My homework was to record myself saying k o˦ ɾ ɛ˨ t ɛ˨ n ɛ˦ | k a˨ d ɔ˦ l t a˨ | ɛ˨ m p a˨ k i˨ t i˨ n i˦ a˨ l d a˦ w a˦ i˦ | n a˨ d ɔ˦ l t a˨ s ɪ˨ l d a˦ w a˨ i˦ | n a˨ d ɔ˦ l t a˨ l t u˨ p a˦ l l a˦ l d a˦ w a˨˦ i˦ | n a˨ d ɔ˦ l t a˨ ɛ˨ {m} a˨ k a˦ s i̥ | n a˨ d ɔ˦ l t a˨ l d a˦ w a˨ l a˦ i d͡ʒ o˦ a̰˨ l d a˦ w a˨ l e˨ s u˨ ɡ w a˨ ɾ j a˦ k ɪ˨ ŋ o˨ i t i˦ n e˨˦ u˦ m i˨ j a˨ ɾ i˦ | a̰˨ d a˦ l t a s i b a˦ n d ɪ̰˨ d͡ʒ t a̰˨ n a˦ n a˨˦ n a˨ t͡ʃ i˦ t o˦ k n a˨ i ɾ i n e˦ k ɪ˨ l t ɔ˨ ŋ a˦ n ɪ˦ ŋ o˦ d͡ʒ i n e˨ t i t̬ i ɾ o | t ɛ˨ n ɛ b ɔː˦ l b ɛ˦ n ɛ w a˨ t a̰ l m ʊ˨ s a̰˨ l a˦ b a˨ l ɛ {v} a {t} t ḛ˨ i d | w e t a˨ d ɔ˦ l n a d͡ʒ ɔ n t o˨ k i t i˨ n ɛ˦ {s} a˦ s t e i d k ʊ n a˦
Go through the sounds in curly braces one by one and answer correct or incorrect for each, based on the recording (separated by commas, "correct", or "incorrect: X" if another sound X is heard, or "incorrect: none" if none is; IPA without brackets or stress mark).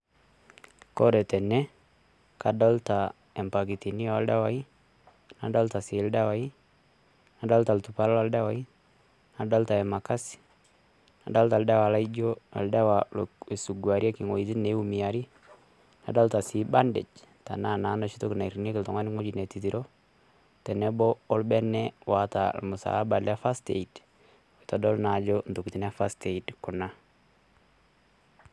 correct, incorrect: f, incorrect: s, incorrect: f